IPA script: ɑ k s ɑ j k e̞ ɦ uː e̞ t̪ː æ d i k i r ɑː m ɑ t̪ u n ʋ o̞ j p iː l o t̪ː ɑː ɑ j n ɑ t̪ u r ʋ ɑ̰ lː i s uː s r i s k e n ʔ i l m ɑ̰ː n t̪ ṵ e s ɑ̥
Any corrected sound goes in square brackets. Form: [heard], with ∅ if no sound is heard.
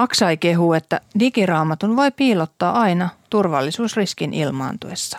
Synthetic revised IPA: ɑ k s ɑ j k e̞ ɦ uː e̞ t̪ː æ d i k i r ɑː m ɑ t̪ u n ʋ o̞ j p iː l o t̪ː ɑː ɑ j n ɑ t̪ u r ʋ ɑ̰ lː i s uː s r i s k [i] n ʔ i l m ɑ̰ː n t̪ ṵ e [sː] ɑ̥